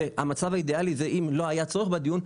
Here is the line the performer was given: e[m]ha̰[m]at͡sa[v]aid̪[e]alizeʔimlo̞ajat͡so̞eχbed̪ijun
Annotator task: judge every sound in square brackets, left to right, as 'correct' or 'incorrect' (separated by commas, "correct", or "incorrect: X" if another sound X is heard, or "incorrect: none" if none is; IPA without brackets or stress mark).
incorrect: none, correct, correct, correct